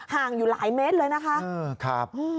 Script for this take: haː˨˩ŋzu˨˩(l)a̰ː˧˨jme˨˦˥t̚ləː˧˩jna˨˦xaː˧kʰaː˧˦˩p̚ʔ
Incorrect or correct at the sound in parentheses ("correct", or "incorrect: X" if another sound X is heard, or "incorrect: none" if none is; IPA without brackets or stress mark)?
correct